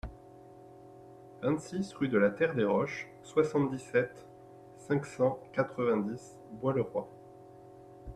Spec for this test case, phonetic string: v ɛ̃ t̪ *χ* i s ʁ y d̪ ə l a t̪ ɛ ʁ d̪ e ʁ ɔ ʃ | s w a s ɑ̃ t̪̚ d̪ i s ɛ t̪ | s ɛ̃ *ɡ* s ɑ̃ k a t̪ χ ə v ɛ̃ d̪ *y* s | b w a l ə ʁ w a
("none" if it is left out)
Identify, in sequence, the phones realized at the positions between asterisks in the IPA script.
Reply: s, k, i

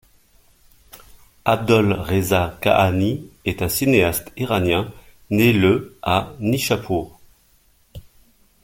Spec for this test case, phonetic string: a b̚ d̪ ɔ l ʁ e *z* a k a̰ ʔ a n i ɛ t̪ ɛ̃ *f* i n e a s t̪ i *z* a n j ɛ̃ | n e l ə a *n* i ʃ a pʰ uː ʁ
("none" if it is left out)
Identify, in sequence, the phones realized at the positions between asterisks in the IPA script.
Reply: z, s, ʁ, n

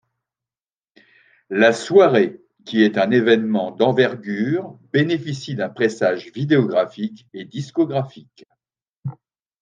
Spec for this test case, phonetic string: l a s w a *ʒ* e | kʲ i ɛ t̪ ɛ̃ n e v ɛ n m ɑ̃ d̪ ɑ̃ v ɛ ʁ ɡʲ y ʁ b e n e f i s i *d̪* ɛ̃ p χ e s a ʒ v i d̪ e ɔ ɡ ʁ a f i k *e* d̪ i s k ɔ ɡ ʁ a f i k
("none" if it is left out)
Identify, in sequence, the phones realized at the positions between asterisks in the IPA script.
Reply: ʁ, d̪, e

